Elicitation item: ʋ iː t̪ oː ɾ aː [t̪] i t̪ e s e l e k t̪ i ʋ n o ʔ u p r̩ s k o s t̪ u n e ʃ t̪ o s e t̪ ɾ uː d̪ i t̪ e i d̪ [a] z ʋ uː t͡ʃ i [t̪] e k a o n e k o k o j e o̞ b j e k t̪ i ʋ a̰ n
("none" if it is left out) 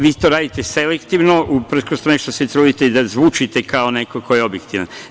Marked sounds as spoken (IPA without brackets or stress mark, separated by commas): d̪, a, t̪